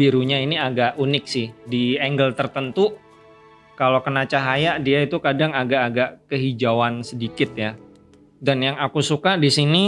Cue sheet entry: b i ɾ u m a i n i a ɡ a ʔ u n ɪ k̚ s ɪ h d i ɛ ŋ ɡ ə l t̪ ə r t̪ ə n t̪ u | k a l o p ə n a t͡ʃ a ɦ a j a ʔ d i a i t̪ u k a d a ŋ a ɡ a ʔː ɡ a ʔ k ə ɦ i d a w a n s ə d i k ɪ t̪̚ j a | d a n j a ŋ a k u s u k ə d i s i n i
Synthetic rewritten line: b i ɾ u ɲ a i n i a ɡ a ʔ u n ɪ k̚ s ɪ h d i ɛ ŋ ɡ ə l t̪ ə r t̪ ə n t̪ u | k a l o k ə n a t͡ʃ a ɦ a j a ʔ d i a i t̪ u k a d a ŋ a ɡ a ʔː ɡ a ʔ k ə ɦ i d͡ʒ a w a n s ə d i k ɪ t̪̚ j a | d a n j a ŋ a k u s u k a d i s i n i